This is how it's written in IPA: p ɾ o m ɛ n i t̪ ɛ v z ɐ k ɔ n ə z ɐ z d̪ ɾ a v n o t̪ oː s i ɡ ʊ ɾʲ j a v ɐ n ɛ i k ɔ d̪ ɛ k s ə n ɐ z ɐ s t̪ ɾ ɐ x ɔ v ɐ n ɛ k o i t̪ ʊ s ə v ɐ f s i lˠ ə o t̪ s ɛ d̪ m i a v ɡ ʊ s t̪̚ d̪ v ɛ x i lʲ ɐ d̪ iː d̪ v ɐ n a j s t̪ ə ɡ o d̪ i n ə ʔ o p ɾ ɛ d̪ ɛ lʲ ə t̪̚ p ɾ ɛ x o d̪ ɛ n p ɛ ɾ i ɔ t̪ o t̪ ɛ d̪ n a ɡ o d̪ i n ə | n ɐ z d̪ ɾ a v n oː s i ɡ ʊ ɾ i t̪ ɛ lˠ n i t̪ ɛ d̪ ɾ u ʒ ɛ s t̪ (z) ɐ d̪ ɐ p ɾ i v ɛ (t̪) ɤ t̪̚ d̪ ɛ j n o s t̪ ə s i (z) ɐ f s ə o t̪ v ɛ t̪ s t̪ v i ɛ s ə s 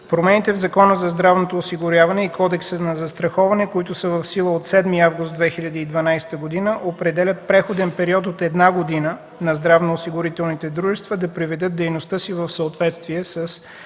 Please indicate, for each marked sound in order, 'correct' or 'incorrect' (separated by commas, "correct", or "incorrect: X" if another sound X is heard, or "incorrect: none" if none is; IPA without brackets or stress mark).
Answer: incorrect: v, incorrect: d̪, incorrect: v